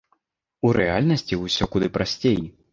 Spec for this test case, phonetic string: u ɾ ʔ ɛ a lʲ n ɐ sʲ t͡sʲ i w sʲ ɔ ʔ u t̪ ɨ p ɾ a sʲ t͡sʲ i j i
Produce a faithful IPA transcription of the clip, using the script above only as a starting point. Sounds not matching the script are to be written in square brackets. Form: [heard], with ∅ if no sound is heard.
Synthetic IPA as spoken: u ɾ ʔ ɛ a lʲ n ɐ sʲ t͡sʲ i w sʲ ɔ [k] u [d̪] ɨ p ɾ a sʲ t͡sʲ [e] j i